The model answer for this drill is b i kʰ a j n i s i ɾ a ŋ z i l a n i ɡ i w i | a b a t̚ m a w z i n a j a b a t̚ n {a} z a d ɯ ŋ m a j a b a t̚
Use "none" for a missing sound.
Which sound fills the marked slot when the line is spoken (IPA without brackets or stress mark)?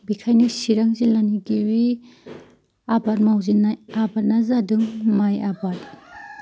a